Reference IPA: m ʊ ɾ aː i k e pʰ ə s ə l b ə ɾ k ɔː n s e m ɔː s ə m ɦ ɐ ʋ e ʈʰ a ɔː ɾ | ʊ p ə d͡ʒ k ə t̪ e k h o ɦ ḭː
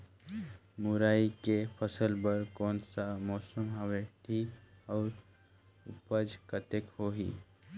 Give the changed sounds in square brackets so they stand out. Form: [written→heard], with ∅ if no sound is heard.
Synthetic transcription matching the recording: m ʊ ɾ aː i k e pʰ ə s ə l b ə ɾ k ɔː n s [e→a] m ɔː s ə m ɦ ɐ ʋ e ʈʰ [a→i] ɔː ɾ | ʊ p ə d͡ʒ k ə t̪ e k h o ɦ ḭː